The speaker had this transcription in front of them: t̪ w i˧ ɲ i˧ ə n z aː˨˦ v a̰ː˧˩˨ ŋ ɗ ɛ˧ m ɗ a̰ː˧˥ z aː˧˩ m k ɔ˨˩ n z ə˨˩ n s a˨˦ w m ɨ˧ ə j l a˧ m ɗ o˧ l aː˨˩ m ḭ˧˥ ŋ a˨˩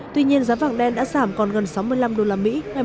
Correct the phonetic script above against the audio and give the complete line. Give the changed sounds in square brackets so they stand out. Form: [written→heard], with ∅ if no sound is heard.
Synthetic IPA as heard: t̪ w i˧ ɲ i˧ ə n z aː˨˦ v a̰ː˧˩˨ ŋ ɗ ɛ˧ [m→n] ɗ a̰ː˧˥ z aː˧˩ m k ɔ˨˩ n [z→ɣ] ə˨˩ n s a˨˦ w m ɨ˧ ə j l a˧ m ɗ o˧ l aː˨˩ m ḭ˧˥ ŋ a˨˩

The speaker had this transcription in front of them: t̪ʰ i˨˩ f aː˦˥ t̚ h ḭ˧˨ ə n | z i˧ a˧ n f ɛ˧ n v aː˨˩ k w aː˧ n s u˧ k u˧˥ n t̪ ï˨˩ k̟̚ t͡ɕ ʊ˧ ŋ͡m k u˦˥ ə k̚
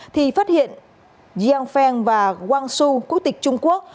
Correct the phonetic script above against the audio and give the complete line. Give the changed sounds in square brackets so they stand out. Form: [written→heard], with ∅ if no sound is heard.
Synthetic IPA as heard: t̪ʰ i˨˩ f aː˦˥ t̚ h ḭ˧˨ ə n | z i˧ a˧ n f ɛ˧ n v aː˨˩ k w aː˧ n s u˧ k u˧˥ [n→∅] t̪ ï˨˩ k̟̚ t͡ɕ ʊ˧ ŋ͡m k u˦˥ ə k̚

